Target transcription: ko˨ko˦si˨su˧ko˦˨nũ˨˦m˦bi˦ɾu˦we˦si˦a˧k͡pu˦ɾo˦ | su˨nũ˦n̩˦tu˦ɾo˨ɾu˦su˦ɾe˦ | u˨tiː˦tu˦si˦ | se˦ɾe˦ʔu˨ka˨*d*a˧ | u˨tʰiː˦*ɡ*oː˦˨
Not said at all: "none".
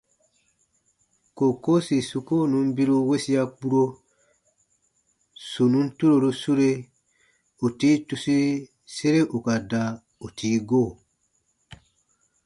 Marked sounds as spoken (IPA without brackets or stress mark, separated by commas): d, ɡ